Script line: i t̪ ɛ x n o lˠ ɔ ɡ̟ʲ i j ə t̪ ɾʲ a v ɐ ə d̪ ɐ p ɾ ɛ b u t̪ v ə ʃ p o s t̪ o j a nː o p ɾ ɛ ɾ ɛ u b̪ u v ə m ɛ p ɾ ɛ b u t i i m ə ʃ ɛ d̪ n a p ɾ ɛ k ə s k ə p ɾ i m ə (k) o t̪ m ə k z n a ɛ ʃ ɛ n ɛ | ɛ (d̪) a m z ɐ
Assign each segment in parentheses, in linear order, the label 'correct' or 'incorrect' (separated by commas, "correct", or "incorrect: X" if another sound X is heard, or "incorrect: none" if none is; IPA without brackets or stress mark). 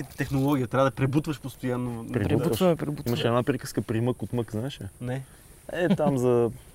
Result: correct, incorrect: t̪